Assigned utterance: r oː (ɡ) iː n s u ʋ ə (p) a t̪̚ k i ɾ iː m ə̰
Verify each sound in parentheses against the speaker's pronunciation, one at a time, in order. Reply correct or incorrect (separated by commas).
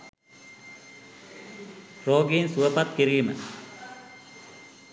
correct, correct